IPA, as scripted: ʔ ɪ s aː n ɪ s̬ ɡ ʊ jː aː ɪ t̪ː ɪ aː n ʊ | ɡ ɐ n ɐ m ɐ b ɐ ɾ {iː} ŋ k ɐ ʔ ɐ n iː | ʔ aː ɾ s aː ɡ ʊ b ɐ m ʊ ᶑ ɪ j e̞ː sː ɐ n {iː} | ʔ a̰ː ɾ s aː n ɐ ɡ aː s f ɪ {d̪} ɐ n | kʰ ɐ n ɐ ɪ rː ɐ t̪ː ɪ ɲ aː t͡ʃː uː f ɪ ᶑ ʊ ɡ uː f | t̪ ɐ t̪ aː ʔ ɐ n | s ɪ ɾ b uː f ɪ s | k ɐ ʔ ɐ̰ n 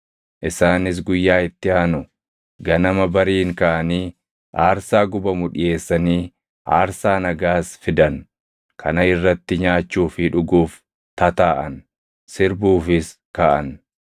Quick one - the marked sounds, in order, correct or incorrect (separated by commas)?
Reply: correct, correct, correct